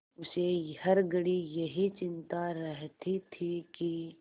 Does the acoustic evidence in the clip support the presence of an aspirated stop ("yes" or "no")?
yes